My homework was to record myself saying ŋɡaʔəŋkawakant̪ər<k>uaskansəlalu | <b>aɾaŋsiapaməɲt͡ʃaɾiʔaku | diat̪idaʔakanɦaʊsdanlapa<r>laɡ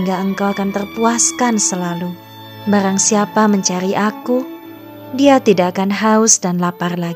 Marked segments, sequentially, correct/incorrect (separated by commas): incorrect, correct, correct